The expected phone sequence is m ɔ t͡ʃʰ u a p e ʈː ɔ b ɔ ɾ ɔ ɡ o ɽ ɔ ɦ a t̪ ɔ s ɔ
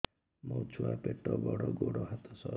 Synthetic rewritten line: m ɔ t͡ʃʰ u a p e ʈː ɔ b ɔ ɽ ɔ ɡ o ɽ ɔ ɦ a t̪ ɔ s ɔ